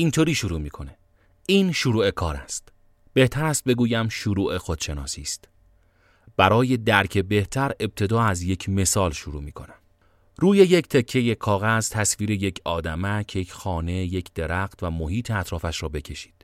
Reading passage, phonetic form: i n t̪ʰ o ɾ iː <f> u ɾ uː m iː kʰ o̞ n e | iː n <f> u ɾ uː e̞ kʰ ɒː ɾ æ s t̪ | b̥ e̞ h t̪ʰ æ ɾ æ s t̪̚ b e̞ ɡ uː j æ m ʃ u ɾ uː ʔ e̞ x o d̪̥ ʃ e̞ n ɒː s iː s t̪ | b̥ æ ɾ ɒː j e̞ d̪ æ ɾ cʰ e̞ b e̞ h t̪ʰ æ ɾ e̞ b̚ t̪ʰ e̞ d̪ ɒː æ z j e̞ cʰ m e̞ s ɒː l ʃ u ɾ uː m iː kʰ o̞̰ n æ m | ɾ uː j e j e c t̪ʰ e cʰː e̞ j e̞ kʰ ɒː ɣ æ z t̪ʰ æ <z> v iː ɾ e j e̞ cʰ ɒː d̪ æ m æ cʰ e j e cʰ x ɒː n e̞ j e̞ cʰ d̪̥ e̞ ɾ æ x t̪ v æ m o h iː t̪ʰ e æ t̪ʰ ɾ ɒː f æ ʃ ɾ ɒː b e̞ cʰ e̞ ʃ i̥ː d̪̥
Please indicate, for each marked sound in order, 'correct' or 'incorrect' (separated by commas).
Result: incorrect, incorrect, incorrect